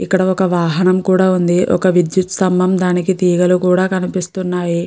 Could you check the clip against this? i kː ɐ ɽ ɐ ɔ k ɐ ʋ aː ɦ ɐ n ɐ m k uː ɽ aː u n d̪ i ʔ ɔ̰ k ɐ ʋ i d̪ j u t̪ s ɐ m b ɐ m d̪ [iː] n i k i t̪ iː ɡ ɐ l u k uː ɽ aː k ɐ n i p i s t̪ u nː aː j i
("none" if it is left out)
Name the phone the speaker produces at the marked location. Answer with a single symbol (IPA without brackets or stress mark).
aː